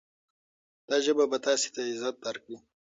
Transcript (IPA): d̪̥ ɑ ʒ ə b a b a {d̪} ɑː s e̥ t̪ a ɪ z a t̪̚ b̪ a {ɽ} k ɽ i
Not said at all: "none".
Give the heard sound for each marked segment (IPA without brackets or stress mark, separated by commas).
t̪, ɾ